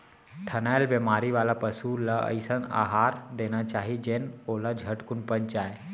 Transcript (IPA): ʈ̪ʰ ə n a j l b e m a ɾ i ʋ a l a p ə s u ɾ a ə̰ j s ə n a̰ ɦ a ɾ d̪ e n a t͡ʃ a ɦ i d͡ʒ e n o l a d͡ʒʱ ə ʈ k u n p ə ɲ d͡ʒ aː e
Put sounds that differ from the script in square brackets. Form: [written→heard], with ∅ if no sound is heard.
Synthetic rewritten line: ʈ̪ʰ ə n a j l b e m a ɾ i ʋ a l a p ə s u [ɾ→l] a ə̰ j s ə n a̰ ɦ a ɾ d̪ e n a t͡ʃ a ɦ i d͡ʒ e n o l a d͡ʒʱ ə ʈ k u n p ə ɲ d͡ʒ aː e